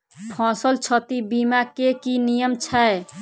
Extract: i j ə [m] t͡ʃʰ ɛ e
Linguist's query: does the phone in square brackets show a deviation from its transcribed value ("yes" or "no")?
no